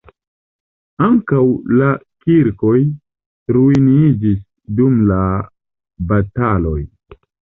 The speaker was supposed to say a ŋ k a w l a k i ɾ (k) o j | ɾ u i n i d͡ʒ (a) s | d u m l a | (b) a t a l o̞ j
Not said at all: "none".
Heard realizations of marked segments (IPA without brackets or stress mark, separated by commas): k, i, b